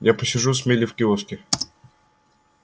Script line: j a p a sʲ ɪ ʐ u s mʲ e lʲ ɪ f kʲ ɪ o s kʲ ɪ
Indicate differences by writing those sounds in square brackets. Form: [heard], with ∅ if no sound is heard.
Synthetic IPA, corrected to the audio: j a p [ə] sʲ ɪ ʐ u s mʲ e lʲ ɪ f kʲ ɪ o s kʲ ɪ